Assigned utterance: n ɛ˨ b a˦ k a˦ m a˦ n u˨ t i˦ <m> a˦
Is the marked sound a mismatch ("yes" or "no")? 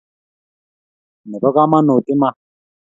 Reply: no